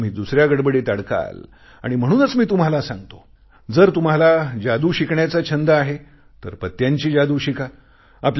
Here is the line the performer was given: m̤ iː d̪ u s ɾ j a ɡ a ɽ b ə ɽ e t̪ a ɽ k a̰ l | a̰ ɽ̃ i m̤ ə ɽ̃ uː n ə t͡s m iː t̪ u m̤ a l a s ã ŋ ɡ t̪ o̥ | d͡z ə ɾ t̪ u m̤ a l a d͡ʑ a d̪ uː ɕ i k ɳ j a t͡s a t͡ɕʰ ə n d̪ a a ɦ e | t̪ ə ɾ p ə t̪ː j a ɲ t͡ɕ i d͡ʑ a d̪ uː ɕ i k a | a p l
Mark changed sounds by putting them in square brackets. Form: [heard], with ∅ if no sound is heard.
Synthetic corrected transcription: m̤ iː d̪ u s ɾ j a ɡ [ə] ɽ b ə ɽ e t̪ a ɽ k a̰ l | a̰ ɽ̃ i m̤ ə ɽ̃ uː n ə t͡s m iː t̪ u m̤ a l a s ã ŋ ɡ t̪ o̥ | d͡z ə ɾ t̪ u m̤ a l a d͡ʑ a d̪ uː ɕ i k ɳ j a t͡s a t͡ɕʰ ə n d̪ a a ɦ e | t̪ ə ɾ p ə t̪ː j a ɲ t͡ɕ [iː] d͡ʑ a d̪ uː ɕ i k a | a p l